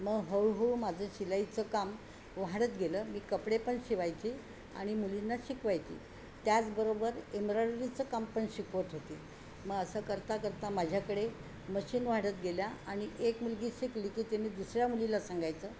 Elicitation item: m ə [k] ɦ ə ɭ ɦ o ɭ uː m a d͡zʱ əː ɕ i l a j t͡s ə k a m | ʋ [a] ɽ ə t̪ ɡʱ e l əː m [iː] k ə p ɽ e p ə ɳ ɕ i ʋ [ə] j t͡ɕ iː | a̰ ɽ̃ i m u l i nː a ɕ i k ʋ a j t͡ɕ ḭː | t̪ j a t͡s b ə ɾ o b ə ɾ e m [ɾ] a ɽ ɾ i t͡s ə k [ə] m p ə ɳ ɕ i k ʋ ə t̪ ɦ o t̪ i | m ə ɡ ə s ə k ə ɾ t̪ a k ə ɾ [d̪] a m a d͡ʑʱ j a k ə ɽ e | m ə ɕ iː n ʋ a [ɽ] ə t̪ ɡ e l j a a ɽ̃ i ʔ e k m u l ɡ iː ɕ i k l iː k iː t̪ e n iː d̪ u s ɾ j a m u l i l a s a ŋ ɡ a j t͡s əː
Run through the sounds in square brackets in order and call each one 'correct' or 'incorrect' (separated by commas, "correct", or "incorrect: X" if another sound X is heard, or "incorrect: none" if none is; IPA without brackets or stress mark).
incorrect: ɡ, correct, correct, incorrect: a, correct, incorrect: a, incorrect: t̪, correct